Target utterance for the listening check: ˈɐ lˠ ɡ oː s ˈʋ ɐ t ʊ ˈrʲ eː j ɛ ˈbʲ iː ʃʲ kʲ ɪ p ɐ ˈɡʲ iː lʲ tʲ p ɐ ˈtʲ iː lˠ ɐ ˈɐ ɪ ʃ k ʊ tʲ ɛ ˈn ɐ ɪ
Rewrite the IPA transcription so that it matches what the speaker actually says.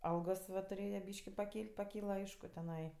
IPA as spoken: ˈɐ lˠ ɡ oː s ˈʋ ɐ t ʊ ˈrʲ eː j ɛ ˈbʲ iː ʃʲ kʲ ɪ p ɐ ˈkʲ iː lʲ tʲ p ɐ ˈkʲ iː lˠ ɐ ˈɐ ɪ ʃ k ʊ tʲ ɛ ˈn ɐ ɪ